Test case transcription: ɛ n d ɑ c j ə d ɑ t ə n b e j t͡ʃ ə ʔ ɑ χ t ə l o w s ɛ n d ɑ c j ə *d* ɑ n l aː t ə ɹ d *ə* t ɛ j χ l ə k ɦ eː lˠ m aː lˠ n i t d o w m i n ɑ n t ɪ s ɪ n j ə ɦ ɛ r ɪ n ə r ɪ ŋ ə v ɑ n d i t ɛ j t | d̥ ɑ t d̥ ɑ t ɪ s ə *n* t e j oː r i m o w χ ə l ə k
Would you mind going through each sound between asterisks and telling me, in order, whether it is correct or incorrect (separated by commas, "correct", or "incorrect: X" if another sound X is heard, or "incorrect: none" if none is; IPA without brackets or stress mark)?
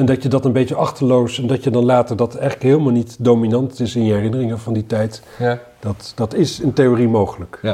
correct, incorrect: ɑ, correct